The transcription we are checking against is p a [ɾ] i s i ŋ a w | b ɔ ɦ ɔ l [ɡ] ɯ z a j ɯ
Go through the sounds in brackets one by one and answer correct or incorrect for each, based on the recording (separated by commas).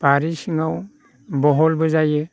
correct, incorrect